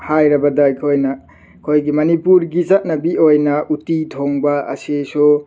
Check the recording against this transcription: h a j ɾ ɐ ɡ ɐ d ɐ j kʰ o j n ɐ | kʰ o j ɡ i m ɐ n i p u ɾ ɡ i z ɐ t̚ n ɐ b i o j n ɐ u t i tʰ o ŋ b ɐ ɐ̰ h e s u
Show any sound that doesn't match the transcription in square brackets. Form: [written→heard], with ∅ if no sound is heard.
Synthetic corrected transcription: h a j ɾ ɐ [ɡ→b] ɐ d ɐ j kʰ o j n ɐ | kʰ o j ɡ i m ɐ n i p u ɾ ɡ i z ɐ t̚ n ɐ b i o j n ɐ u t i tʰ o ŋ b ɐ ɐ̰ [h→s] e s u